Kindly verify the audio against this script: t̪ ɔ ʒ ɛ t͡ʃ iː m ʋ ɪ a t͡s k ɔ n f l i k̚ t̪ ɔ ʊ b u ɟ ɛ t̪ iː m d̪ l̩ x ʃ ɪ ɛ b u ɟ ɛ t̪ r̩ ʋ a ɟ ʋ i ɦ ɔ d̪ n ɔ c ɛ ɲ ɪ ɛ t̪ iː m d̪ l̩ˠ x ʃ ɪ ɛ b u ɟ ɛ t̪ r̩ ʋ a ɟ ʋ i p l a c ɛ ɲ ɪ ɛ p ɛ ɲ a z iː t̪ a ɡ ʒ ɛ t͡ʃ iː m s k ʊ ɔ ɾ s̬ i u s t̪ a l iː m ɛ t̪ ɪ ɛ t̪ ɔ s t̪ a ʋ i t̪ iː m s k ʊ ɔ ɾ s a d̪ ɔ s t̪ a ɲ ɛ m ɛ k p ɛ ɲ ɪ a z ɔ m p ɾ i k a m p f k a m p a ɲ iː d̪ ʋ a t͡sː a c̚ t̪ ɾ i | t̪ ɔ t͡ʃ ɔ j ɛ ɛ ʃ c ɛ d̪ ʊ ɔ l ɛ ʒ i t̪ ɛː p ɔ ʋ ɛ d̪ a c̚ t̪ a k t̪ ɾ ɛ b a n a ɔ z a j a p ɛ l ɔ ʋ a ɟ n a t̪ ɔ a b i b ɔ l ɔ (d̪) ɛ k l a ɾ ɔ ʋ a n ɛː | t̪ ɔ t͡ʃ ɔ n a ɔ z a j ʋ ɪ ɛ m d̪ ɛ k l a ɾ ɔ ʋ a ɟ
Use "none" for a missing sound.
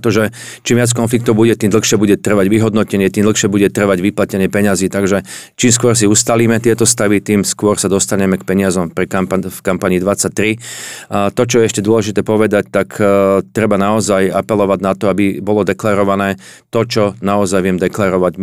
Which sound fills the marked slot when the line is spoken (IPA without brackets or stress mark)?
d̪